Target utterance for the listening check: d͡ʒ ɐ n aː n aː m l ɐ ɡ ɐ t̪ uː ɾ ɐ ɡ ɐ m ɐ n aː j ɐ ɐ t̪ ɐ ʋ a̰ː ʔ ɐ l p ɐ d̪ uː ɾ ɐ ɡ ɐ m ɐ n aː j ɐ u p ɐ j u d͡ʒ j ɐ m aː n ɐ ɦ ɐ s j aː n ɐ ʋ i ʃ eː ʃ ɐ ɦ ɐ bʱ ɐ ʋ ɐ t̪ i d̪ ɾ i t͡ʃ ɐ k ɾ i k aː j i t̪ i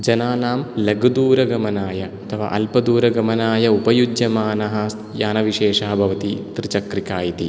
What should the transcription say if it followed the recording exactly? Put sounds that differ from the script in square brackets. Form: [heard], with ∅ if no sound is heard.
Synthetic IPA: d͡ʒ ɐ n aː n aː m l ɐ ɡ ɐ [d̪] uː ɾ ɐ ɡ ɐ m ɐ n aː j ɐ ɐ [t̪ʰ] ɐ ʋ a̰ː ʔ ɐ l p ɐ d̪ uː ɾ ɐ ɡ ɐ m ɐ n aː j ɐ u p ɐ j u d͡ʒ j ɐ m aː n ɐ ɦ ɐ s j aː n ɐ ʋ i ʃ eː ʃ ɐ ɦ ɐ bʱ ɐ ʋ ɐ t̪ i [t̪] ɾ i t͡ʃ ɐ k ɾ i k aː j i t̪ i